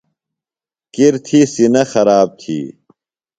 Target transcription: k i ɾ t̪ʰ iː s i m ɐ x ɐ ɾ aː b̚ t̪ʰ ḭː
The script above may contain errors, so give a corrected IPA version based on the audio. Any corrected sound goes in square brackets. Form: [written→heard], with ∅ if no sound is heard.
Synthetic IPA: k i ɾ t̪ʰ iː s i [m→n] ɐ x ɐ ɾ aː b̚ t̪ʰ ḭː